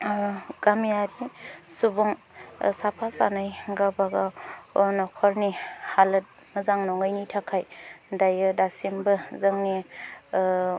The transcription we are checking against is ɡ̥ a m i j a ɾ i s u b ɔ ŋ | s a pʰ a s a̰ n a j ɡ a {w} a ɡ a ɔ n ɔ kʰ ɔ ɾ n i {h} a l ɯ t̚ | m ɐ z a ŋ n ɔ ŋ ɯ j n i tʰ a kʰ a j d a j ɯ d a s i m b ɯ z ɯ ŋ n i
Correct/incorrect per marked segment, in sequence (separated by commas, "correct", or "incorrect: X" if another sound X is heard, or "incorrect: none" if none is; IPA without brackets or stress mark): incorrect: b, correct